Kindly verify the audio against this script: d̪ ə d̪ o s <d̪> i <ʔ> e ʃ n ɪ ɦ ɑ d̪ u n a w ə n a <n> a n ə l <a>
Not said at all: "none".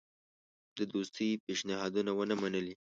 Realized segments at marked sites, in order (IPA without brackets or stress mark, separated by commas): t̪, p, m, i